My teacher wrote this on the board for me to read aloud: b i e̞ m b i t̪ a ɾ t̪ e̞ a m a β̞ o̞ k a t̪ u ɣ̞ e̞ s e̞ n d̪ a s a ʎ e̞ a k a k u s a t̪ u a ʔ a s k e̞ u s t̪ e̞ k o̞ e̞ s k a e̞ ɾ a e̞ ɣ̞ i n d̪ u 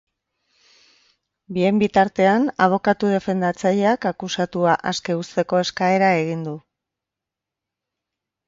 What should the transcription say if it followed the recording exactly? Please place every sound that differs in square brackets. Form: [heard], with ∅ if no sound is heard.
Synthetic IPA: b i e̞ m b i t̪ a ɾ t̪ e̞ a [n] a β̞ o̞ k a t̪ u [ð̞] e̞ [f] e̞ n d̪ a [t͡s] a ʎ e̞ a k a k u s a t̪ u a ʔ a s k e̞ u s t̪ e̞ k o̞ e̞ s k a e̞ ɾ a e̞ ɣ̞ i n d̪ u